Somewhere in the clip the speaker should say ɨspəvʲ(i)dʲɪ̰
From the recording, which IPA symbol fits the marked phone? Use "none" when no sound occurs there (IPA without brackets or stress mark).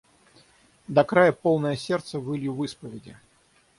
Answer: ɪ